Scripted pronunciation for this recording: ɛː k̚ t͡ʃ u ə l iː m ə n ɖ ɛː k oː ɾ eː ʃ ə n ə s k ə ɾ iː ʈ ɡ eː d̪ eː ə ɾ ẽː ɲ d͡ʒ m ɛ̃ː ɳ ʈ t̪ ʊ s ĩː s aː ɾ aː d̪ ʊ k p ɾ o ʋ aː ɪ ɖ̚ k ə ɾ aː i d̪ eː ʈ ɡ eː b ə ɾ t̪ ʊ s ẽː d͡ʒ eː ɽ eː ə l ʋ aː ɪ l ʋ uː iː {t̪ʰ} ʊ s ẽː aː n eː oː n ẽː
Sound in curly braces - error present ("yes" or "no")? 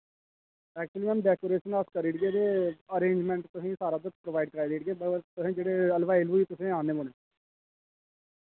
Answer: yes